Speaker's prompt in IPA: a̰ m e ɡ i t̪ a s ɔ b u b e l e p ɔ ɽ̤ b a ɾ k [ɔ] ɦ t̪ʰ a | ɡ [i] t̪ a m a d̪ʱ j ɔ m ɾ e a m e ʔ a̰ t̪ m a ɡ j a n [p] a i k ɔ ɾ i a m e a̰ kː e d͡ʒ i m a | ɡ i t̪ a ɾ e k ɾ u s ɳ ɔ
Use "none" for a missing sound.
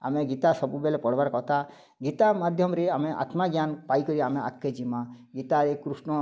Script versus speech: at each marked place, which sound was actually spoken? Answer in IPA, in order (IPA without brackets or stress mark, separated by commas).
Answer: ɔ, i, p